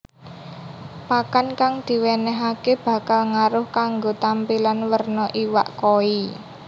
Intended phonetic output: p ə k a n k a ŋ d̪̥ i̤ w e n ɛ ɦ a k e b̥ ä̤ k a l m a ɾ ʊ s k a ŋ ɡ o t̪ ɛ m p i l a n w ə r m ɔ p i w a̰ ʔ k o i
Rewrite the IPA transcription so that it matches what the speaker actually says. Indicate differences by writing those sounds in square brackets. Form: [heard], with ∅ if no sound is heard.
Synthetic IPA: p [a] k a n k a ŋ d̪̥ i̤ w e n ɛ ɦ a k e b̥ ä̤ k a l [ŋ] a ɾ ʊ [h] k a ŋ ɡ o t̪ [a] m p i l a n w ə r [n] ɔ [ʔ] i w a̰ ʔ k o i

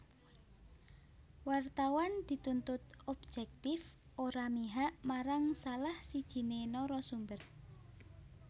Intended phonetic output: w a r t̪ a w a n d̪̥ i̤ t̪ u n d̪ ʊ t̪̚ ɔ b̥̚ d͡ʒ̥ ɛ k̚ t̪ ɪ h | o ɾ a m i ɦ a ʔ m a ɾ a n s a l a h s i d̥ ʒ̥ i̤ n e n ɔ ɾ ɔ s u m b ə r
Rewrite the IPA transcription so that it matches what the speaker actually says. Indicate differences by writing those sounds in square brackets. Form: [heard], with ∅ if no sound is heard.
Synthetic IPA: w a r t̪ a w a n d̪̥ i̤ t̪ u n [t̪] ʊ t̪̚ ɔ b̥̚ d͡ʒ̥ ɛ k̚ t̪ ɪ [f] | o ɾ a m i ɦ a ʔ m a ɾ a [ŋ] s a l a h s i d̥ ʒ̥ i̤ n e n ɔ ɾ ɔ s u m b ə r

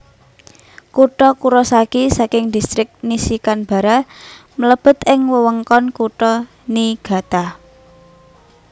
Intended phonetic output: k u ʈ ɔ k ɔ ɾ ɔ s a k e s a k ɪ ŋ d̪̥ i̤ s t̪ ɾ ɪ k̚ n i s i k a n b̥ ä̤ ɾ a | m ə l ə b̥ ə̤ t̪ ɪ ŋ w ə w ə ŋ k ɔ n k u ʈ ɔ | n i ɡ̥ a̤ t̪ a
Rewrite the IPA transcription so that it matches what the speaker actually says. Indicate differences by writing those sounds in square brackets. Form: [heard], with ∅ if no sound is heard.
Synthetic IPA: k u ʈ ɔ k [u] ɾ ɔ s a k [i] s a k ɪ ŋ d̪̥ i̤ s t̪ ɾ ɪ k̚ n i s i k a n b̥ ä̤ ɾ a | m ə l ə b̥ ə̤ t̪ ɪ ŋ w ə w ə ŋ k ɔ n k u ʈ ɔ | n i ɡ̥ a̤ t̪ a

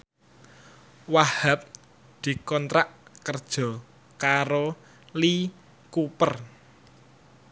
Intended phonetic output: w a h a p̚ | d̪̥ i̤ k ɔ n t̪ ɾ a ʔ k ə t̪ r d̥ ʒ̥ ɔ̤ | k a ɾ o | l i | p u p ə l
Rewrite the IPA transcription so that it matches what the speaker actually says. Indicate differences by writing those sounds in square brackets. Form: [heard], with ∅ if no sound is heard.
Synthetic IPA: w a h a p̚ | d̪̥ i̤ k ɔ n t̪ ɾ a ʔ k ə [∅] r d̥ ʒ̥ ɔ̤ | k a ɾ o | l i | [k] u p ə [r]

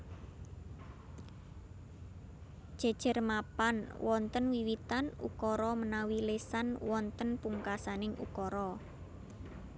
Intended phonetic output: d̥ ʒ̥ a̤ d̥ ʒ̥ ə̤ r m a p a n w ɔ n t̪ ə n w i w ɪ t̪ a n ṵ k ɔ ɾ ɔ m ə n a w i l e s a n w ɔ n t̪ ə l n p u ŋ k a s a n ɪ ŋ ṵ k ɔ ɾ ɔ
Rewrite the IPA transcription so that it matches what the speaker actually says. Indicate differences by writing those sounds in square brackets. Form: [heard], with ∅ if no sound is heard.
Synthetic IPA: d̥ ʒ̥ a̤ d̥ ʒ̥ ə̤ r m a p a n w ɔ n t̪ ə n w i w [i] t̪ a n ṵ k ɔ ɾ ɔ m ə n a w i l e s a n w ɔ n t̪ ə [∅] n p u ŋ k a s a n ɪ ŋ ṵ k ɔ ɾ ɔ

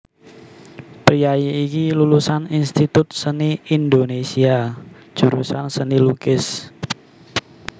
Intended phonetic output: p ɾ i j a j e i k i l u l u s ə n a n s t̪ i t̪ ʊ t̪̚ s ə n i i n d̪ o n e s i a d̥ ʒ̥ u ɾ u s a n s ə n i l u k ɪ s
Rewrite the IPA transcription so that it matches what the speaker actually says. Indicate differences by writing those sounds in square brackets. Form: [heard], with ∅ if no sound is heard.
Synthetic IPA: p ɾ i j a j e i k i l u l u s [a] n [i] n s t̪ i t̪ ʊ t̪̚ s ə n i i n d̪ o n e s i a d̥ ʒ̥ u ɾ u s a n s ə n i l u k ɪ s

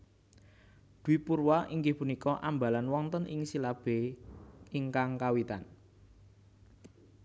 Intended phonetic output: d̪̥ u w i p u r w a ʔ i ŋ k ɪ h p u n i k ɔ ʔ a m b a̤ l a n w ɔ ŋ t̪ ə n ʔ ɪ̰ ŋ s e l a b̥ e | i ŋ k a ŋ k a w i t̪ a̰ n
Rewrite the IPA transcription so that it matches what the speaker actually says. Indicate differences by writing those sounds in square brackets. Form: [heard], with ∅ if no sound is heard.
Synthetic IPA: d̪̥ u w i p u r w a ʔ i ŋ [ɡ] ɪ h p u n i k ɔ ʔ a m b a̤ l a n w ɔ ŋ t̪ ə n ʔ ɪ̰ ŋ s [i] l a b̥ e | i ŋ k a ŋ k a w i t̪ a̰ n

